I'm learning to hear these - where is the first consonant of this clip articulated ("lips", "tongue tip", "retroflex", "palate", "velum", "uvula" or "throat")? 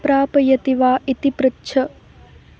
lips